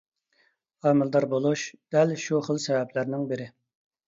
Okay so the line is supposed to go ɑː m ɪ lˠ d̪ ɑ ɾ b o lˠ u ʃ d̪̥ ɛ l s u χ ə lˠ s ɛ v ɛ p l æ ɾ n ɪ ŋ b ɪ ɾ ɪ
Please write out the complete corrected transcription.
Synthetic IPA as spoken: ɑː m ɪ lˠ d̪ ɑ ɾ b o lˠ u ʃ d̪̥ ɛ l ʃ u χ ə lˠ s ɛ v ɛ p l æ ɾ n ɪ ŋ b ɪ ɾ ɪ